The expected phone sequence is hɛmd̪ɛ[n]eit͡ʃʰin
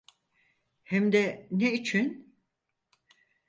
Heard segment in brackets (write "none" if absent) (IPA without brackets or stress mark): n